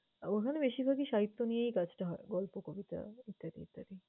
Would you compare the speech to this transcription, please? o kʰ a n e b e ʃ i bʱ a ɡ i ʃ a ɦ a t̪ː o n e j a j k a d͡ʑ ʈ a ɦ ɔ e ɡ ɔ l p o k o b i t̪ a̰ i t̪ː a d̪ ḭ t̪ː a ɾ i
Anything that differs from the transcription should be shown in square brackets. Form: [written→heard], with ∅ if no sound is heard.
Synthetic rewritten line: o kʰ a n e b e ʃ i bʱ a ɡ i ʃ a ɦ [a→i] t̪ː o n [e→i] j [a→e] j k a d͡ʑ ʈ a ɦ ɔ e ɡ ɔ l p o k o b i t̪ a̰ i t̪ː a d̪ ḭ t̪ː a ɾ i

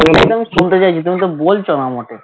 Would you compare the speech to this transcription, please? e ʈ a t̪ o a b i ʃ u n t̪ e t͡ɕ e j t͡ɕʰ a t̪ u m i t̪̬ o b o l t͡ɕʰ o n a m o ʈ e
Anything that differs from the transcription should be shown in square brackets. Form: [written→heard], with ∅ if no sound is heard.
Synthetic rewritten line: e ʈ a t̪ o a [b→m] i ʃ u n t̪ e t͡ɕ [e→a] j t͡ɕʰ [a→i] t̪ u m i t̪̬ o b o l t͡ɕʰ o n a m o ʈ e

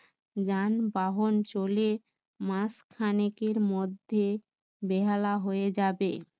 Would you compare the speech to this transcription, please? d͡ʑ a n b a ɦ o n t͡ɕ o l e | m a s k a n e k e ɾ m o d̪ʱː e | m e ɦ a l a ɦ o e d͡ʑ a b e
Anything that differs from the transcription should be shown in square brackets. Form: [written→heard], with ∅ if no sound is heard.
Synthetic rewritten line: d͡ʑ a n b a ɦ o n t͡ɕ o l e | m a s [k→kʰ] a n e k e ɾ m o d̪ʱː e | [m→b] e ɦ a l a ɦ o e d͡ʑ a b e

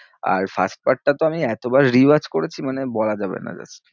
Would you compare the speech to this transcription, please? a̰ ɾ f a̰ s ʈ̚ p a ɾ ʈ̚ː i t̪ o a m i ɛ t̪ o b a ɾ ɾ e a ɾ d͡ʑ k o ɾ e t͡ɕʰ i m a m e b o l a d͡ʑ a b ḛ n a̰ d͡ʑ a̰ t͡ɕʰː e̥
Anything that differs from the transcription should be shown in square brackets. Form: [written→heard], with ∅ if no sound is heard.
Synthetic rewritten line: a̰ ɾ f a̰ s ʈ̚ p a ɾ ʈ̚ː [i→a] t̪ o a m i ɛ t̪ o b a ɾ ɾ [e→i] a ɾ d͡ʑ k o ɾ e t͡ɕʰ i m a [m→n] e b [o→ɔ] l a d͡ʑ a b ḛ n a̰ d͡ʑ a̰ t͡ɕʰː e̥

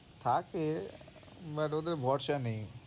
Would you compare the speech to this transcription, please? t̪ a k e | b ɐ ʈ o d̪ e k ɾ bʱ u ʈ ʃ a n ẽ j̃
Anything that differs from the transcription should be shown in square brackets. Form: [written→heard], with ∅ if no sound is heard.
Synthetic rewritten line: [t̪→t̪ʰ] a k e | b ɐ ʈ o d̪ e [k→∅] ɾ bʱ [u→ɔ] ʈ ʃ a n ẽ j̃

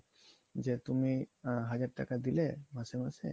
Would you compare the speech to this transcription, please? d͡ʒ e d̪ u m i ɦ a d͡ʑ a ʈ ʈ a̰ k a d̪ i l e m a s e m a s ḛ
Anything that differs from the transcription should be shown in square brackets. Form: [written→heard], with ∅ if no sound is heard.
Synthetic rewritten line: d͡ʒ e [d̪→t̪] u m i ɦ a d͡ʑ a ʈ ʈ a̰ k a d̪ i l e m a s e m a s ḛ

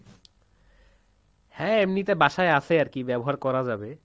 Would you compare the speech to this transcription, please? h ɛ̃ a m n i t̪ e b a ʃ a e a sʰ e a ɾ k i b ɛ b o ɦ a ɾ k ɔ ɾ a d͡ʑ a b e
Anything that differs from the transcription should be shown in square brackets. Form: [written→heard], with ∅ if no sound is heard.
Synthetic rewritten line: h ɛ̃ [a→e] m n i t̪ e b a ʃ a e a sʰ e a ɾ k i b ɛ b o ɦ a ɾ k ɔ ɾ a d͡ʑ a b e

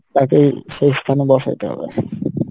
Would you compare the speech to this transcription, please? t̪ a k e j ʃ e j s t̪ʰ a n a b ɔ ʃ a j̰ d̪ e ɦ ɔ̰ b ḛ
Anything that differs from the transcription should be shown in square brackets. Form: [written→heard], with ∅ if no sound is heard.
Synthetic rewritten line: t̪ a k e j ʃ e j s t̪ʰ a n [a→e] b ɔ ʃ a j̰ [d̪→t̪] e ɦ ɔ̰ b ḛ

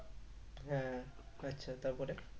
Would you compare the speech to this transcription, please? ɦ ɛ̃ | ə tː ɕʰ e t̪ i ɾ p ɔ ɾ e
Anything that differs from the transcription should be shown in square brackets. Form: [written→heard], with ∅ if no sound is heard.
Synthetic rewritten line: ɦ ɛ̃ | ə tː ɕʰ [e→a] t̪ [i→a] ɾ p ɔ ɾ e

